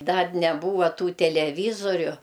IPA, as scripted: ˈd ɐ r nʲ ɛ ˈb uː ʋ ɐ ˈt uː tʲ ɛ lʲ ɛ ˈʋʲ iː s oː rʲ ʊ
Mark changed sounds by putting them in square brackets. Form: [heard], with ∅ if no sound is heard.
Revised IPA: ˈd ɐ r nʲ ɛ ˈb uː ʋ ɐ ˈt uː tʲ ɛ lʲ ɛ ˈʋʲ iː [z] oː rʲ ʊ